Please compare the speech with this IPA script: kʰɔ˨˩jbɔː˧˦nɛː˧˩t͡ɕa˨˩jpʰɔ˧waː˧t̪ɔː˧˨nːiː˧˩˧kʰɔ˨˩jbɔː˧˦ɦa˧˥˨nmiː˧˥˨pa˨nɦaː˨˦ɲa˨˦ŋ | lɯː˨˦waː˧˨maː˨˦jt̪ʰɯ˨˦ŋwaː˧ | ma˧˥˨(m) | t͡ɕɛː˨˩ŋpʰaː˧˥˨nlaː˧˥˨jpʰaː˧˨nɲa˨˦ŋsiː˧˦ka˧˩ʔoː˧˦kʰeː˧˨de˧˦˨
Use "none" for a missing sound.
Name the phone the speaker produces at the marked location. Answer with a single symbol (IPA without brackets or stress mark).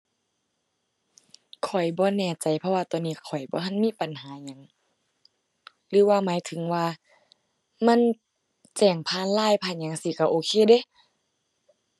n